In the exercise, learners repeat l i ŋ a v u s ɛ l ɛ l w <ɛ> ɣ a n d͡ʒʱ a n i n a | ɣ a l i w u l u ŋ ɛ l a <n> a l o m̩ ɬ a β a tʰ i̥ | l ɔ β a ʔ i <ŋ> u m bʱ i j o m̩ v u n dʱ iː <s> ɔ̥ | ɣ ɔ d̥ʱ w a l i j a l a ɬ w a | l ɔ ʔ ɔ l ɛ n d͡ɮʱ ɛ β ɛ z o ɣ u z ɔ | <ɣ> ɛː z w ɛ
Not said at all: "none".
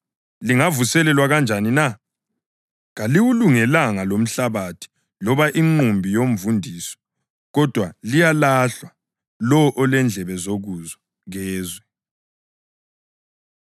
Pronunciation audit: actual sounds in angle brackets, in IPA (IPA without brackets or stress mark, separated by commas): a, ŋ, ŋ͡ǃ, s, ɣ